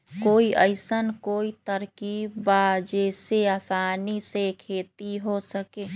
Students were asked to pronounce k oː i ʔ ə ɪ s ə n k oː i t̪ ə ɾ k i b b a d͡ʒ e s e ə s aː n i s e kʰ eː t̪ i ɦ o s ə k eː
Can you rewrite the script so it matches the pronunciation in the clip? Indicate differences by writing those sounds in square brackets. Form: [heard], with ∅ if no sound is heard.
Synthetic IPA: k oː i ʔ ə ɪ s ə n k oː i t̪ ə ɾ k i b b a d͡ʒ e s e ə s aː n i s e kʰ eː t̪ i ɦ o s ə k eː